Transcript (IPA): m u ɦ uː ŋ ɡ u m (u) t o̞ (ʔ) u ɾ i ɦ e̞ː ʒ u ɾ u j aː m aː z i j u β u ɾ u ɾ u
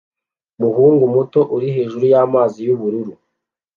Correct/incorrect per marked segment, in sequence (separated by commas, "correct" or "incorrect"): correct, correct